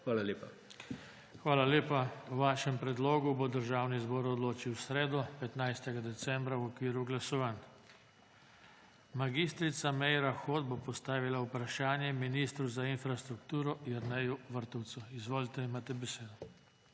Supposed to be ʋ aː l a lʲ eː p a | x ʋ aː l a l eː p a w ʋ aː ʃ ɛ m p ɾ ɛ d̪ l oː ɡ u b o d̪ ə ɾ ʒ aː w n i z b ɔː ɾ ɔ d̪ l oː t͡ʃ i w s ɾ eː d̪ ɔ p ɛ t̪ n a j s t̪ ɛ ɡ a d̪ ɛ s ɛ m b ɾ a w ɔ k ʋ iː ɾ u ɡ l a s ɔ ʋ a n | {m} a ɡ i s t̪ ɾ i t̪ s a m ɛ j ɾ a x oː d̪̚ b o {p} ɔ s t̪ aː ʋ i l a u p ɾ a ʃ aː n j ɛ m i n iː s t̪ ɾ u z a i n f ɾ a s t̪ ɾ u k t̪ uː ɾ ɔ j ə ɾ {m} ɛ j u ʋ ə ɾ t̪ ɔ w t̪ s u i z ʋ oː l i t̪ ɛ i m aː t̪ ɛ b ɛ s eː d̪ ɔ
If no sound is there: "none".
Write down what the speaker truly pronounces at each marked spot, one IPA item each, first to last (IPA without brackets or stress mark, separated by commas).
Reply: m, p, n